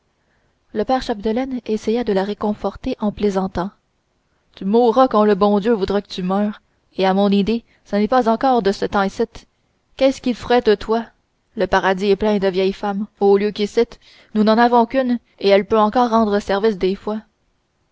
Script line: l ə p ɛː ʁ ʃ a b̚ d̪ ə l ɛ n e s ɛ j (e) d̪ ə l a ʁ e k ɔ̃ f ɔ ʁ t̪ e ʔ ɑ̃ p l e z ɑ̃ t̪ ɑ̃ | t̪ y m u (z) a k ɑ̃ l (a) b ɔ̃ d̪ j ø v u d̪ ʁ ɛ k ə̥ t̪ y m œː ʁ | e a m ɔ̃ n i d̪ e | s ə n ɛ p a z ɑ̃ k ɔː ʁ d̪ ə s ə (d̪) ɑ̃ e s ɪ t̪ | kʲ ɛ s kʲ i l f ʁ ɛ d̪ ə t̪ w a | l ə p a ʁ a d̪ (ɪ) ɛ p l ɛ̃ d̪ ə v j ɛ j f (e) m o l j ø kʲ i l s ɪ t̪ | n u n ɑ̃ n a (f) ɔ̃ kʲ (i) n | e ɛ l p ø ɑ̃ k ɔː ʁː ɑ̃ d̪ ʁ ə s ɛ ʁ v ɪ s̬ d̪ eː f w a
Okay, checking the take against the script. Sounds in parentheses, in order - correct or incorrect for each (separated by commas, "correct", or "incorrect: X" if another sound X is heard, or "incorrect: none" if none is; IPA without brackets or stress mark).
incorrect: a, incorrect: ʁ, incorrect: ə, incorrect: t̪, incorrect: i, incorrect: a, incorrect: v, incorrect: y